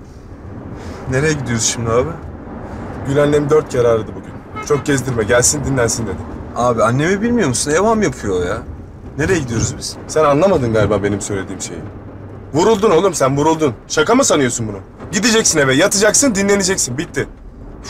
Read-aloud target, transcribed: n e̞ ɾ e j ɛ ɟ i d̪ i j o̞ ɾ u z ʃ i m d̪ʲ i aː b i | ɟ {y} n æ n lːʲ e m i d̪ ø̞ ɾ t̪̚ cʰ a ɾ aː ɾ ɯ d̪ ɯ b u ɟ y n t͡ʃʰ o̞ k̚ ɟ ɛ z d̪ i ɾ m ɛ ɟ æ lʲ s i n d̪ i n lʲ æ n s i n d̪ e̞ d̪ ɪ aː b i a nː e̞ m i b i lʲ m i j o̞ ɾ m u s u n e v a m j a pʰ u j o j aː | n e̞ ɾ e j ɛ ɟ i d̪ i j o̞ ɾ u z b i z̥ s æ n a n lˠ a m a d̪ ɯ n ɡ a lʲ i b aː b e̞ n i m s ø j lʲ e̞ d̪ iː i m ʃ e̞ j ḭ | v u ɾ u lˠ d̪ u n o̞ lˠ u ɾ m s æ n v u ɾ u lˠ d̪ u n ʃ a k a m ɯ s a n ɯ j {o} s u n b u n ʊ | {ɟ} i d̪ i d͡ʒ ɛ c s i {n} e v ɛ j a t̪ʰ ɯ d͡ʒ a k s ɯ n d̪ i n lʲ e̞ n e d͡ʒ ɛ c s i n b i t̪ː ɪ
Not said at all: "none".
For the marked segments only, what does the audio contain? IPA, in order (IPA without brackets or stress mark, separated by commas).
y, o, ɟ, n